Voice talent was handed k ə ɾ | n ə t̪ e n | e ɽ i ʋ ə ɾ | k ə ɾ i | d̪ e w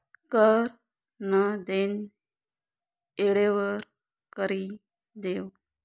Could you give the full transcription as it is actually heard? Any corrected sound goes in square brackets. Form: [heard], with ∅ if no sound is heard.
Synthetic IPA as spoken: k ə ɾ | n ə [d̪] e n | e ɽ [e] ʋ ə ɾ | k ə ɾ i | d̪ e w